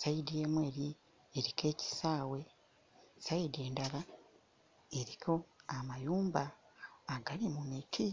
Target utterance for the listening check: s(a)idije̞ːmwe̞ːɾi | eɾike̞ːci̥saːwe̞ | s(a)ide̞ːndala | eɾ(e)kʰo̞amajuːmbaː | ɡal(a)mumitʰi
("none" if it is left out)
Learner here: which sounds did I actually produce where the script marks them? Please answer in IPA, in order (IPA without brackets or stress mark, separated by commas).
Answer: a, a, i, i